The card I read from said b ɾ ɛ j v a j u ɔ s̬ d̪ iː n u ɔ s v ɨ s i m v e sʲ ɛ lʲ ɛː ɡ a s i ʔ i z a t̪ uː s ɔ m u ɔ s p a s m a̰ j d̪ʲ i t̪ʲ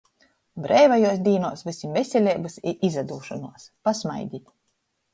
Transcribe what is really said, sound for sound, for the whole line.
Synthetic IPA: b ɾ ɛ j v a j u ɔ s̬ d̪ iː n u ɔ s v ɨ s i m v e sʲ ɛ lʲ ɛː b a s i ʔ i z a d̪ uː ʃ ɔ n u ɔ s p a s m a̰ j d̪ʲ i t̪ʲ

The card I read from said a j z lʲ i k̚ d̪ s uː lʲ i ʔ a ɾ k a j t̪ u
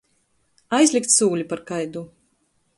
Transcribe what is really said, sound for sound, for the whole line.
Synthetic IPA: a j z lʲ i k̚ t̪ s uː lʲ i p a ɾ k a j d̪ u

